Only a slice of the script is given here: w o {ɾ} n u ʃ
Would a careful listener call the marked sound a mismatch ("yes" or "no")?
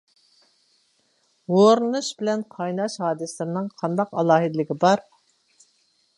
no